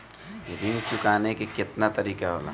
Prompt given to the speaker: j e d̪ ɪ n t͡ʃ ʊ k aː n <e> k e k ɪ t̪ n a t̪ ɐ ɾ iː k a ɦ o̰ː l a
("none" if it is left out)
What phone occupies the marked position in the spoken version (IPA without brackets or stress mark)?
e